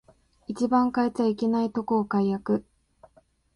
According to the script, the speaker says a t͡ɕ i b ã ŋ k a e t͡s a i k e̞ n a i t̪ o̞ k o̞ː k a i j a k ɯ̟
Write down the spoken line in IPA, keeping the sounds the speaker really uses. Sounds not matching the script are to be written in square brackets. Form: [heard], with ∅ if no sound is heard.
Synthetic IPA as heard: [i] t͡ɕ i b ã ŋ k a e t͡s a i k e̞ n a i t̪ o̞ k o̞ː k a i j a k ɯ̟